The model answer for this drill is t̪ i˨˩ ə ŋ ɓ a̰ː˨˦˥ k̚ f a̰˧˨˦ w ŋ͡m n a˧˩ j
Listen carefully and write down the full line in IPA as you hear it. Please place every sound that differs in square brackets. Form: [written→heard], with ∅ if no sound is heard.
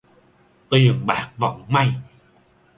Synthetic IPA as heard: t̪ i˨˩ ə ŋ ɓ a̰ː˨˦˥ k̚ [f→v] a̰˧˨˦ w ŋ͡m [n→m] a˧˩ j

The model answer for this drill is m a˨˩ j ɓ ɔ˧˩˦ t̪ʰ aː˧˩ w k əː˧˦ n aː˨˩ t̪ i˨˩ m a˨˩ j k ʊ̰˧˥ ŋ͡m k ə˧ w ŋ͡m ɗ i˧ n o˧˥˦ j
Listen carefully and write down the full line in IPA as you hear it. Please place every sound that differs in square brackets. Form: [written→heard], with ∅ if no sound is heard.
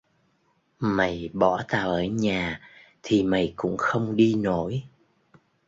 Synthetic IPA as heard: m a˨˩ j ɓ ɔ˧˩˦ [t̪ʰ→t̪] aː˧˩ w [k→ʔ] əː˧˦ [n→ɲ] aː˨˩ [t̪→t̪ʰ] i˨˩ m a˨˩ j k ʊ̰˧˥ ŋ͡m [k→x] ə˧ w ŋ͡m ɗ i˧ n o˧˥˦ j

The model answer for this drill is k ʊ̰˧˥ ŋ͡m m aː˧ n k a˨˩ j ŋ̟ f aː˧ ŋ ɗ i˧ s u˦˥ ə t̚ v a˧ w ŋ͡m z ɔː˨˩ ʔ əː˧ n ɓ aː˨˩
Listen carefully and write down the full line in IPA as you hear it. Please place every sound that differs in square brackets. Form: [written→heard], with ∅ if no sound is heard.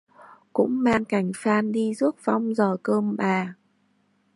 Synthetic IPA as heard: k ʊ̰˧˥ ŋ͡m m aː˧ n k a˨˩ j ŋ̟ f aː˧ [ŋ→n] ɗ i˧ [s→z] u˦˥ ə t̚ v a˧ w ŋ͡m z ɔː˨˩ [ʔ→k] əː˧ [n→m] ɓ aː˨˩

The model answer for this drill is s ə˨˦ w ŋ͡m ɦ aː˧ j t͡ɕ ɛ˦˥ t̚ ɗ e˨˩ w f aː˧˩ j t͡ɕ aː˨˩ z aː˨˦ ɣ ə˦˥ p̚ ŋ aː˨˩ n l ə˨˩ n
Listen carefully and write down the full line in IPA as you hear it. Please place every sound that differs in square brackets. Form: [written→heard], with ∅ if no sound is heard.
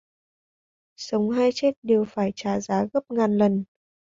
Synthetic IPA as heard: s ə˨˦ w ŋ͡m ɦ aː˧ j t͡ɕ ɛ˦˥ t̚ ɗ e˨˩ w f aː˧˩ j t͡ɕ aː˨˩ z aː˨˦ ɣ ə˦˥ p̚ ŋ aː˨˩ n l ə˨˩ n

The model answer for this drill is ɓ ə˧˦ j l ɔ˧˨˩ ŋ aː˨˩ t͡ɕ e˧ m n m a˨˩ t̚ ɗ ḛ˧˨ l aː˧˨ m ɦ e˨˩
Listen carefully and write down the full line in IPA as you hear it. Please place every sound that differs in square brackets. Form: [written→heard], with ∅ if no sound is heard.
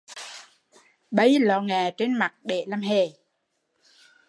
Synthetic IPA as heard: ɓ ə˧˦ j l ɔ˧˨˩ ŋ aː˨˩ t͡ɕ e˧ [m→∅] n m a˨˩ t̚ ɗ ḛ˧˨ l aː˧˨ m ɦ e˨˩

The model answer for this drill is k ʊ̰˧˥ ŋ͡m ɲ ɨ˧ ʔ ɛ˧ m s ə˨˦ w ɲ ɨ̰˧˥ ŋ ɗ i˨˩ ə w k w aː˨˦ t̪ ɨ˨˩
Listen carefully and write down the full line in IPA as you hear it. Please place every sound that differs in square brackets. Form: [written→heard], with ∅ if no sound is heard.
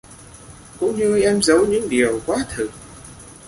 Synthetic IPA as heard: k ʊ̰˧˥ ŋ͡m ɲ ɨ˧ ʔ ɛ˧ m [s→z] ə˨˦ w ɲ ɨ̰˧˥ ŋ ɗ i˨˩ ə w k w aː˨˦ [t̪→t̪ʰ] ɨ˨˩

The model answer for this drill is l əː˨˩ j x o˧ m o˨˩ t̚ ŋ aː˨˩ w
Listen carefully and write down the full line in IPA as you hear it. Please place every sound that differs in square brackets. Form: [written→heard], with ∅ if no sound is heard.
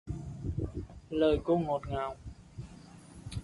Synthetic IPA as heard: l əː˨˩ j [x→k] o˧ [m→ŋ] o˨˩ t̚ ŋ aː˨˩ w

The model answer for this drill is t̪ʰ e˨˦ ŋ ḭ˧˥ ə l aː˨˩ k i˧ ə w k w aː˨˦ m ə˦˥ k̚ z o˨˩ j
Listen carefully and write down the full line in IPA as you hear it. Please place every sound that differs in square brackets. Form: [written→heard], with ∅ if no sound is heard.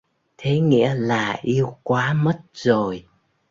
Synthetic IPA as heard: t̪ʰ e˨˦ ŋ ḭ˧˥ ə l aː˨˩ [k→ʔ] i˧ ə w k w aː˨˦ m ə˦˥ [k̚→t̚] z o˨˩ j

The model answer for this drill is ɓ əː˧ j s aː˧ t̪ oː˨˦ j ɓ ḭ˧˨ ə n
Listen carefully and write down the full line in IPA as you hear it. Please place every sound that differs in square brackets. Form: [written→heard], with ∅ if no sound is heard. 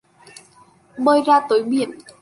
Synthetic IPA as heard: ɓ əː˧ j [s→z] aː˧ t̪ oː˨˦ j ɓ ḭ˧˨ ə n

